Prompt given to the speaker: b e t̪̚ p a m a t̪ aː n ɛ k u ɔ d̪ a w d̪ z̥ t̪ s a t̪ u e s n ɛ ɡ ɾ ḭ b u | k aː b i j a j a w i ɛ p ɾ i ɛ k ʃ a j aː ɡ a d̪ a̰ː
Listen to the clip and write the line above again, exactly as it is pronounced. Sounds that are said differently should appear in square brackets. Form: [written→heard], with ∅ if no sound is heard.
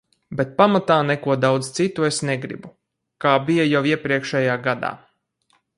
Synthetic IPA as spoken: b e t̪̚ p a m a t̪ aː n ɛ k u ɔ d̪ a w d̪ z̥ t̪ s [a→i] t̪ u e s n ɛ ɡ ɾ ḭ b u | k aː b i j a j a w i ɛ p ɾ i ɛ k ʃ [a→ɛ] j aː ɡ a d̪ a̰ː